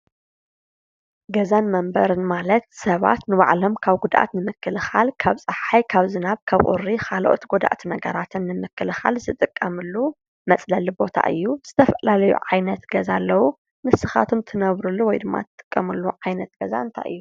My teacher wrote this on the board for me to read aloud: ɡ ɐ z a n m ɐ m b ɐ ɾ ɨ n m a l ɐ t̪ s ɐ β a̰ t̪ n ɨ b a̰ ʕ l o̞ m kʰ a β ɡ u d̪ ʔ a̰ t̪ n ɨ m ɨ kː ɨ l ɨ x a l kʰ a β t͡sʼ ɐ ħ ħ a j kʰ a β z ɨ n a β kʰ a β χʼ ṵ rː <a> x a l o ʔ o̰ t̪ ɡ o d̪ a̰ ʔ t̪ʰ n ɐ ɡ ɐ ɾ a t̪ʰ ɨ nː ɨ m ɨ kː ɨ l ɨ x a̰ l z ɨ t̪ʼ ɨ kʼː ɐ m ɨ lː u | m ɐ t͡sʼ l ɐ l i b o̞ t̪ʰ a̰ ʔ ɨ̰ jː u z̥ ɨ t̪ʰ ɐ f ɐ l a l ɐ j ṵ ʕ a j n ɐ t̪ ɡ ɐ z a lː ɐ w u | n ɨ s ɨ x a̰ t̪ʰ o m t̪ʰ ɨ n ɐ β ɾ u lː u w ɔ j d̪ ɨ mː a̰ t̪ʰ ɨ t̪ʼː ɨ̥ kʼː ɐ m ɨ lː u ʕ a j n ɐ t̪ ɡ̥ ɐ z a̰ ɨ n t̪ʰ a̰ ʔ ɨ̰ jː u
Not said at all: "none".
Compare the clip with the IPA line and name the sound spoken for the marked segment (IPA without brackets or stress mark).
i